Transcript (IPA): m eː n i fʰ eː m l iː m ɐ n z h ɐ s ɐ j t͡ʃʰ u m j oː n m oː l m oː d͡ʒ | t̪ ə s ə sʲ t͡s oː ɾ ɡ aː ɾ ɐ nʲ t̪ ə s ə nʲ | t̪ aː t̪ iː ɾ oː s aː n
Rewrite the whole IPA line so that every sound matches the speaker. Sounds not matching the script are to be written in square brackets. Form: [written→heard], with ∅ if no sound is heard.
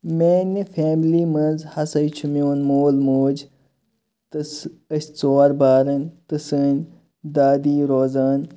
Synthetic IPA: m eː n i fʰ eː m l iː m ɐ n z h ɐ s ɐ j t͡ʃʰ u m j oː n m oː l m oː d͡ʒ | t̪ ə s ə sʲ t͡s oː ɾ [ɡ→b] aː ɾ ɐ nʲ t̪ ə s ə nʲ | [t̪→d̪] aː [t̪→d̪] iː ɾ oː [s→z] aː n

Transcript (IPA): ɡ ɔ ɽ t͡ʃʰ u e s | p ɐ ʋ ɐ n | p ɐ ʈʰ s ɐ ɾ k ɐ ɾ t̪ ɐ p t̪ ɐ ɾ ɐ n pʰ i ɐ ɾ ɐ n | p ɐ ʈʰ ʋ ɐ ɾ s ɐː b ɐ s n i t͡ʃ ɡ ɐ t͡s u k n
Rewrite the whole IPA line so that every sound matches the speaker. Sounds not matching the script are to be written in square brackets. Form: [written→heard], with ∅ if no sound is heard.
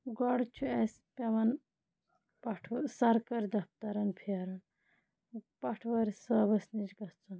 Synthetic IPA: ɡ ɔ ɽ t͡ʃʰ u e s | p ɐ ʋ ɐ n | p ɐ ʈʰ s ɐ ɾ k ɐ ɾ [t̪→d̪] ɐ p t̪ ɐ ɾ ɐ n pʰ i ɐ ɾ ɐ n | p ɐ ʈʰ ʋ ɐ ɾ s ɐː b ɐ s n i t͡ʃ ɡ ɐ t͡s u [k→∅] n

